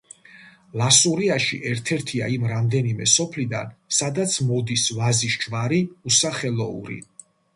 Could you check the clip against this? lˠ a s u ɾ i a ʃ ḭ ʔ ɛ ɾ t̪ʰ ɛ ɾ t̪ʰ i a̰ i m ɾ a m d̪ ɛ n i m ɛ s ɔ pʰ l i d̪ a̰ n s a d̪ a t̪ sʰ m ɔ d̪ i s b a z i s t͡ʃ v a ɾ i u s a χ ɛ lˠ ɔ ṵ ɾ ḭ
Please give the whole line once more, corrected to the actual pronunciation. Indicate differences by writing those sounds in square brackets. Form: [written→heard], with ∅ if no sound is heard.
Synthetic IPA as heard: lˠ a s u ɾ i a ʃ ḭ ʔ ɛ ɾ t̪ʰ ɛ ɾ t̪ʰ i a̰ i m ɾ a m d̪ ɛ n i m ɛ s ɔ pʰ l i d̪ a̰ n s a d̪ a t̪ sʰ m ɔ d̪ i s [b→v] a z i [s→ʃ] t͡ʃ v a ɾ i u s a χ ɛ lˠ ɔ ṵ ɾ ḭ